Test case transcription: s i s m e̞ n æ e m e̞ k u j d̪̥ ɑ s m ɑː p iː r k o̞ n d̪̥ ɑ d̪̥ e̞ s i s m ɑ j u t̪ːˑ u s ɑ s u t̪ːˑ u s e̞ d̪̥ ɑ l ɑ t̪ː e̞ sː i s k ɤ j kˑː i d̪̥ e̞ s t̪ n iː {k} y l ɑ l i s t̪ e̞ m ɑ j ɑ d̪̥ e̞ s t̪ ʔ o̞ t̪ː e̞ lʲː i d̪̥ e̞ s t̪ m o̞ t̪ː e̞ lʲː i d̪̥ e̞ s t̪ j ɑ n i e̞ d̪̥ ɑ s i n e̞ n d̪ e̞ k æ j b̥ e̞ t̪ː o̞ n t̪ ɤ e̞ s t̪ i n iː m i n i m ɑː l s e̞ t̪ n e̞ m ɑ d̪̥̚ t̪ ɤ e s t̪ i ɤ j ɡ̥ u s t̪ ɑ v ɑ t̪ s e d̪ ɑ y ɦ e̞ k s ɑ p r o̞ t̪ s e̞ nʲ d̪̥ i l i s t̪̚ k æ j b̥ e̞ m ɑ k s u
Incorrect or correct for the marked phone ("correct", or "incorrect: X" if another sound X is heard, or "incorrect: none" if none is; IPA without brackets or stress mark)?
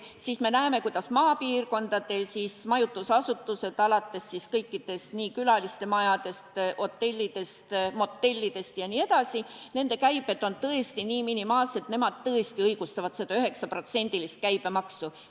correct